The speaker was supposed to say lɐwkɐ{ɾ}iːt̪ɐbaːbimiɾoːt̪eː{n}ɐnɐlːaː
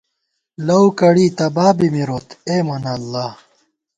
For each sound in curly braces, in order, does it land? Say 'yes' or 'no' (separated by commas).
no, no